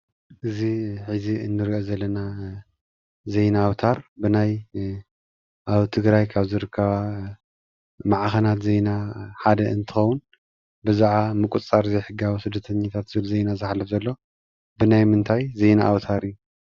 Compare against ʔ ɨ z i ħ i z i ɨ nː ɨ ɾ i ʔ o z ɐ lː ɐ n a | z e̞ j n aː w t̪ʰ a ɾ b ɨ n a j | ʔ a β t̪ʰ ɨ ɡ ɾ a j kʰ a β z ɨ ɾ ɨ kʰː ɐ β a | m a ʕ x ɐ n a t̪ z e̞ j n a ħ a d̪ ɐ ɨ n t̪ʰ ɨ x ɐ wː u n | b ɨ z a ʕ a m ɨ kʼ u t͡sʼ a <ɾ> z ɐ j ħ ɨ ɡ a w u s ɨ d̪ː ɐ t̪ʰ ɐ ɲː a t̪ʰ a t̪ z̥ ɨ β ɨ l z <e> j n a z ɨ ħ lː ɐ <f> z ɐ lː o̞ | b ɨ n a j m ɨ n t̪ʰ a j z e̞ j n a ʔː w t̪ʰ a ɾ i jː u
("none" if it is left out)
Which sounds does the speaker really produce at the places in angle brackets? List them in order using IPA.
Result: ɾ, e, f

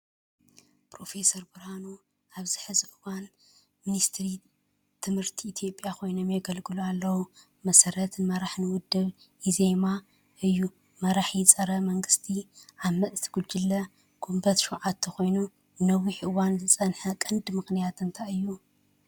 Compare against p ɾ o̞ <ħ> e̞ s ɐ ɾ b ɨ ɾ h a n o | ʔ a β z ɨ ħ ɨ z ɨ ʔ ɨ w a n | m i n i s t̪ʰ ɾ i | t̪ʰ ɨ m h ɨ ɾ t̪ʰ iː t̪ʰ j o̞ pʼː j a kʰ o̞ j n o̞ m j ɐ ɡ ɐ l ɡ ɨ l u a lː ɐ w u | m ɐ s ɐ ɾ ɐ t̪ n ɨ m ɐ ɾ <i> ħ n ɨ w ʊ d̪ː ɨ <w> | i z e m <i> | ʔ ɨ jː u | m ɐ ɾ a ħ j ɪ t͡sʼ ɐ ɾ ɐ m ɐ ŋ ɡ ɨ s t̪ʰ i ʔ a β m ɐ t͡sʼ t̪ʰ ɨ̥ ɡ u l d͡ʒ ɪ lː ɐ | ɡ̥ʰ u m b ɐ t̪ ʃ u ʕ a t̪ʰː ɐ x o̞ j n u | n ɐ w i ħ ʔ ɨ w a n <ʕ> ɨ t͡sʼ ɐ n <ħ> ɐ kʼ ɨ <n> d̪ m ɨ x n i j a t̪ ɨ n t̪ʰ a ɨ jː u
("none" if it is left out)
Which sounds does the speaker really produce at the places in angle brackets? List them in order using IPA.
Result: f, a, β, a, z, ħ, n

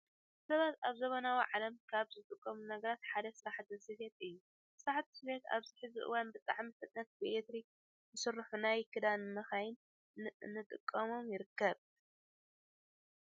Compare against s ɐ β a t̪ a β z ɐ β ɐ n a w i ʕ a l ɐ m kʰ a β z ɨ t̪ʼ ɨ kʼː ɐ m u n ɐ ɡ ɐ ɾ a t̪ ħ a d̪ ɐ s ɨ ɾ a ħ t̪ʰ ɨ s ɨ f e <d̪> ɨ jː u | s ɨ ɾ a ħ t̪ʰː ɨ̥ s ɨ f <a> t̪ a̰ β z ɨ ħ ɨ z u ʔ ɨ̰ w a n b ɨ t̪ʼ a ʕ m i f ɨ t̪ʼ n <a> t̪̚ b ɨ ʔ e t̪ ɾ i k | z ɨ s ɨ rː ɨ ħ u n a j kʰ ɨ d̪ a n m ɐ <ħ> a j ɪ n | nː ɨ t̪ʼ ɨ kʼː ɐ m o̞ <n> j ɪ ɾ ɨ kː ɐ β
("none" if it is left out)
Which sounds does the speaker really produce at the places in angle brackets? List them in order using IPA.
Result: t̪, e, ɐ, x, m

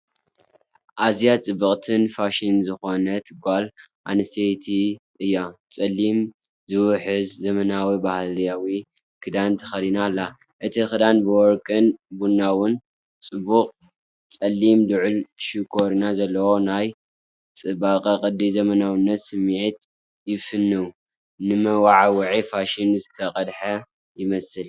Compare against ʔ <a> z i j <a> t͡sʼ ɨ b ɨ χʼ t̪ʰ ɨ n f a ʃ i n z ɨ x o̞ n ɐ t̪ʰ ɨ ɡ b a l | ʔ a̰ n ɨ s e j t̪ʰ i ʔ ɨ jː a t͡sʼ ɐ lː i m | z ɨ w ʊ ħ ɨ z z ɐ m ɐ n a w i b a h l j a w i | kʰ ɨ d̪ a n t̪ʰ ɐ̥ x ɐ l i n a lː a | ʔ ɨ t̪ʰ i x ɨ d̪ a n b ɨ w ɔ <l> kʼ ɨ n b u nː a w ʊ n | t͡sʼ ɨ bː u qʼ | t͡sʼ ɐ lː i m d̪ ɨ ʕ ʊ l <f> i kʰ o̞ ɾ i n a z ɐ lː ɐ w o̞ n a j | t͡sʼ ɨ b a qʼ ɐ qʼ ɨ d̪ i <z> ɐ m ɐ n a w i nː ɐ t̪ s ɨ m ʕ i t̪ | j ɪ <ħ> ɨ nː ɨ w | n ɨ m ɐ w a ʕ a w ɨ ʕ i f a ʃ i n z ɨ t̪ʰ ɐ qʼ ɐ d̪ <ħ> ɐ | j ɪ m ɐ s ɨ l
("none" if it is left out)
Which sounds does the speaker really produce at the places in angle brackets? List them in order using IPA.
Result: a, a, ɾ, ʃ, z, f, ħ

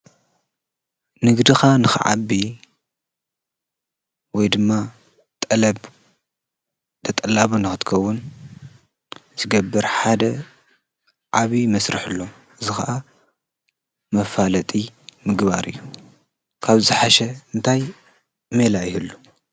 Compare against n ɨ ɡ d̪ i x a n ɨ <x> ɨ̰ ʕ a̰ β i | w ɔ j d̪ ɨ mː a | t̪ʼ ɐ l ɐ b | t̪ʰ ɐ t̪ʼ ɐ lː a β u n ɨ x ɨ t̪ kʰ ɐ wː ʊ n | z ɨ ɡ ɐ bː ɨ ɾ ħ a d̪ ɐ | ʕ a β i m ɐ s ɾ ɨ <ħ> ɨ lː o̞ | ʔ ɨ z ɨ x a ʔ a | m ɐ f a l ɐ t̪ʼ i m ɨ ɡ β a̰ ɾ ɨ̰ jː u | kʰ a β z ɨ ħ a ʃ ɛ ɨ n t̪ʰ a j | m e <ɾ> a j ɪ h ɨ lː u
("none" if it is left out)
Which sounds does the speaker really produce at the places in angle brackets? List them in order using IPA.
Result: x, ħ, l

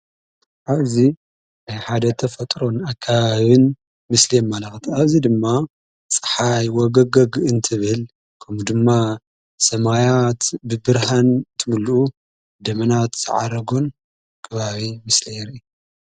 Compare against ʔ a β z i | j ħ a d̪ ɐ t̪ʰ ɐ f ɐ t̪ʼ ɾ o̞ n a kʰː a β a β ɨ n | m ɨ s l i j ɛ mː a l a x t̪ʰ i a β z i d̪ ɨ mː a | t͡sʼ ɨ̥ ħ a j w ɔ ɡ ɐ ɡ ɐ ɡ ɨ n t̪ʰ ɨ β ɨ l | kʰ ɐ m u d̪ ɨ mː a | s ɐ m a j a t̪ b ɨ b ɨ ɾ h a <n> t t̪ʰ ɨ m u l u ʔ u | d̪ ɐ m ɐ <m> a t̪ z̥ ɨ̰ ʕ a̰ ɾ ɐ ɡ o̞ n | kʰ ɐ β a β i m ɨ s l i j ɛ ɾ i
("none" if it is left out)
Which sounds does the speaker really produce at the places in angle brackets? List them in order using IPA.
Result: n, n

